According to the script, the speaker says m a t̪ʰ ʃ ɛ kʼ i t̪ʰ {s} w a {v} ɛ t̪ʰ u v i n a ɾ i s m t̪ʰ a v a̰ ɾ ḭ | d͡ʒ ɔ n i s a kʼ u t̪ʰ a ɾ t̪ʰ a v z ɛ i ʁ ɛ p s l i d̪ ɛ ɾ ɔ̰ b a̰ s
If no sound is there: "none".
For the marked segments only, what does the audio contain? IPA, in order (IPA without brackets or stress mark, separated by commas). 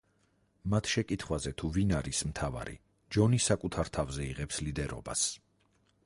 χ, z